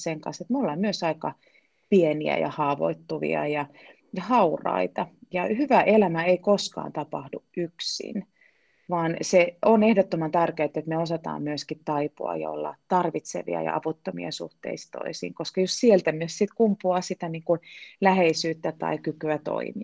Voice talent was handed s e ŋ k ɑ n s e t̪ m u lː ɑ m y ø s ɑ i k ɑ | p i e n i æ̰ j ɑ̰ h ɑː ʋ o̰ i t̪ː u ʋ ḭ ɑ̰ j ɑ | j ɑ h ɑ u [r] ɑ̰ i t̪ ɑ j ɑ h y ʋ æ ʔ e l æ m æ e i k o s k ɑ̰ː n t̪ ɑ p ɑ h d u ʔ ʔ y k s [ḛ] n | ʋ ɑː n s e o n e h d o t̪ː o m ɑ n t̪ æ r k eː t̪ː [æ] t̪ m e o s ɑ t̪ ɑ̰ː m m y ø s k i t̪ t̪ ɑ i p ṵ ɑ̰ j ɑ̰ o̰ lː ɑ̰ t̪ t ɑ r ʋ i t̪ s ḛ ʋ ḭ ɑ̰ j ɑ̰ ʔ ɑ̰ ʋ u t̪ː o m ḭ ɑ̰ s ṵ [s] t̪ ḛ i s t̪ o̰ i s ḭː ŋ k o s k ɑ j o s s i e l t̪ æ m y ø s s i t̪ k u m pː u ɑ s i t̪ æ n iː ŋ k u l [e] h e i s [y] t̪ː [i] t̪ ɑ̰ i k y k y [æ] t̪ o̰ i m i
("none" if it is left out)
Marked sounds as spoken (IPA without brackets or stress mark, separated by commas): r, ḭ, e, h, æ, yː, æ, æ